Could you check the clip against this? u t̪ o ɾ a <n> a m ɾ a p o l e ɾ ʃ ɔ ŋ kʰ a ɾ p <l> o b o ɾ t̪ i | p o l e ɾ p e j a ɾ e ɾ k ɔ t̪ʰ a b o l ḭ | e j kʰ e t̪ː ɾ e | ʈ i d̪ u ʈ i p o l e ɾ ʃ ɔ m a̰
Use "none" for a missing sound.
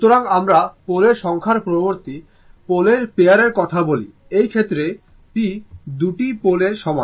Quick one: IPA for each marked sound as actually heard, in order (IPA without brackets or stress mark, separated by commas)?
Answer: ŋ, ɾ